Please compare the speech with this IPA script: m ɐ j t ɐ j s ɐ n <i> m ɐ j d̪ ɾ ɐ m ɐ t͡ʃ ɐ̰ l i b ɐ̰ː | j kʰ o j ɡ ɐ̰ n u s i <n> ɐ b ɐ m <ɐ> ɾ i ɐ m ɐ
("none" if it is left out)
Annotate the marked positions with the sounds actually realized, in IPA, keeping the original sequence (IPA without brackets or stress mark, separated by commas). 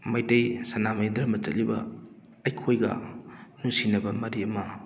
a, n, ɐ